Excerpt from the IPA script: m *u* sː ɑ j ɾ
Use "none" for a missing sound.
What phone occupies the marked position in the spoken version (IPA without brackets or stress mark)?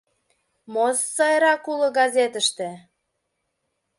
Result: o